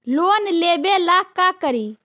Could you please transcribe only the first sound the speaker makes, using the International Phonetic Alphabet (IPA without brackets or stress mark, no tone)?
l